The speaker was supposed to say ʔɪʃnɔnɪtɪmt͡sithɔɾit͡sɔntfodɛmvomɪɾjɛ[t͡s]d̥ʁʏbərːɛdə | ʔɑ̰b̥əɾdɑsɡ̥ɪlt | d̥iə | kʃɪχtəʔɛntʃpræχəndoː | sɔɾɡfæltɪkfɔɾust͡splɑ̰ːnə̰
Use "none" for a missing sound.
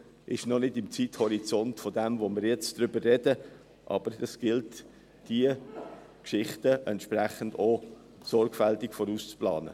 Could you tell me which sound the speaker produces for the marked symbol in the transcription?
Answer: t͡s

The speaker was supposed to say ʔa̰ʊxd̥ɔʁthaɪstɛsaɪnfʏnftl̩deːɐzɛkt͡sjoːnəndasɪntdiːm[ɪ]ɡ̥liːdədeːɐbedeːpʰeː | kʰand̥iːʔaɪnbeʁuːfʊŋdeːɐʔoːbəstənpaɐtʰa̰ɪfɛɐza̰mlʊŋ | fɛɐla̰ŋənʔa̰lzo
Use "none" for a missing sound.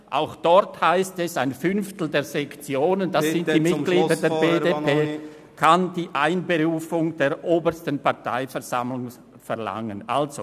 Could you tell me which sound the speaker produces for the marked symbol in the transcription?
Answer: ɪ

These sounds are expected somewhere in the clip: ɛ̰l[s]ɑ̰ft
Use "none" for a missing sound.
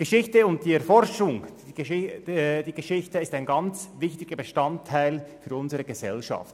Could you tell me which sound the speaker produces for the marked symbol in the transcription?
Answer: ʃ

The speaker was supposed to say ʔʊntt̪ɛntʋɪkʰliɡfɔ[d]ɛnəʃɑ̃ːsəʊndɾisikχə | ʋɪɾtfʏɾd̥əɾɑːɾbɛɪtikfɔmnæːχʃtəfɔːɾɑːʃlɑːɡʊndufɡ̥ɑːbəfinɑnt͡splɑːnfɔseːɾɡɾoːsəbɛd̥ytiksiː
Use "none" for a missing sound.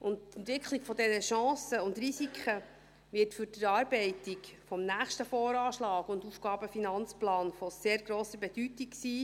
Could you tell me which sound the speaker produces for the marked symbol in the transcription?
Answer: d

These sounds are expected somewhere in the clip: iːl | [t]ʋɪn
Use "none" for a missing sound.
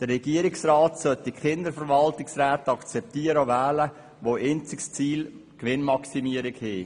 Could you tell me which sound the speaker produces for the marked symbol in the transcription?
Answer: k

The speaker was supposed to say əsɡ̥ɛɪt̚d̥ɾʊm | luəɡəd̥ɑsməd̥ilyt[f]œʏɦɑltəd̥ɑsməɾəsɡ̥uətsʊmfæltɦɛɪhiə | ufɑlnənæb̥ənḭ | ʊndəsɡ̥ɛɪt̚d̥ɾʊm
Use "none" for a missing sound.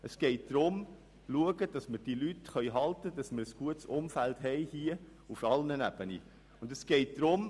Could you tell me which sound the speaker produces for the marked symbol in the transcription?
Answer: χ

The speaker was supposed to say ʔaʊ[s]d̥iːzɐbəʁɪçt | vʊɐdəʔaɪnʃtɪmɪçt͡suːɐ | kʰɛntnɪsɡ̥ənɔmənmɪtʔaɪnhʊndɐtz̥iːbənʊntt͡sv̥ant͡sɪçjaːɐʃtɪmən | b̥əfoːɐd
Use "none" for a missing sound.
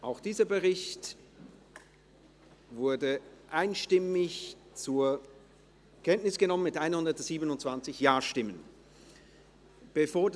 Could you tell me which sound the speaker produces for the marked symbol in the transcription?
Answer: x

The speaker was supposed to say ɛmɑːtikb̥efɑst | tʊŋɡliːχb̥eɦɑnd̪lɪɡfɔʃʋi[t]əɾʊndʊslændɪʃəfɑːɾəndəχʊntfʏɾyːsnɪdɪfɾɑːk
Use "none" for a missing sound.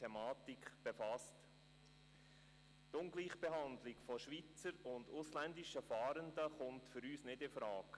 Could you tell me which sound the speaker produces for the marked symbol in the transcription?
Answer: t͡s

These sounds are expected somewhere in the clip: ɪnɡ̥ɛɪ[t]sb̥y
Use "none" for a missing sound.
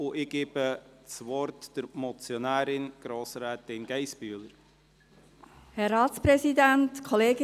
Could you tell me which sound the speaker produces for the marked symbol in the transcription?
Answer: none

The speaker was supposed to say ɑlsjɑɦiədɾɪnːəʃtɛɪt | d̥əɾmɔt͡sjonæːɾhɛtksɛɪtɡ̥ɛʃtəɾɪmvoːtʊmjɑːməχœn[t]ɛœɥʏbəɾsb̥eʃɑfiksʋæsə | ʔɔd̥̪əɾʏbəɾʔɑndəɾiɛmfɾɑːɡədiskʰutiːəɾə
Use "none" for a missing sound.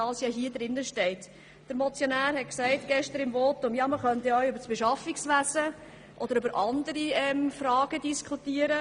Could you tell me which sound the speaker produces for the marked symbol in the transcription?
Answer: t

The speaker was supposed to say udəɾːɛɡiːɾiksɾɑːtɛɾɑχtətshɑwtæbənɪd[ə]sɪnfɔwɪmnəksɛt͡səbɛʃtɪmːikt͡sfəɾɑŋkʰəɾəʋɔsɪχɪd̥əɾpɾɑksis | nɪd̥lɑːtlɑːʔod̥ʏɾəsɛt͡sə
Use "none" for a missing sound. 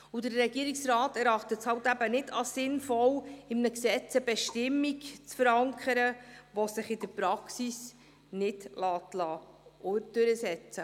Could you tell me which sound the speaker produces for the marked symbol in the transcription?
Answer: ɑ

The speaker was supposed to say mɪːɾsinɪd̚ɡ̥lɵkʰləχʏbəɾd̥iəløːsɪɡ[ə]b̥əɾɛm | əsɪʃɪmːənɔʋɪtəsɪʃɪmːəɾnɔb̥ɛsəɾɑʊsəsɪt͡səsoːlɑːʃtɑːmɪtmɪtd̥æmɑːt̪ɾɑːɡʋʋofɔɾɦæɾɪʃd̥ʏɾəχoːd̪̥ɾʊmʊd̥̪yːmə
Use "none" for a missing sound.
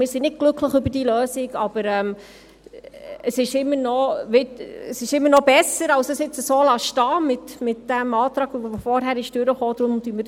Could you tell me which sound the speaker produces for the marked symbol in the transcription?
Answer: ɑ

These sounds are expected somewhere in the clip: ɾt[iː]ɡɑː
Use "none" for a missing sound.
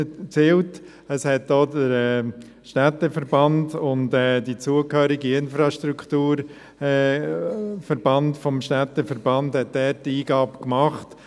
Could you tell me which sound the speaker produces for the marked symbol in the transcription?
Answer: iː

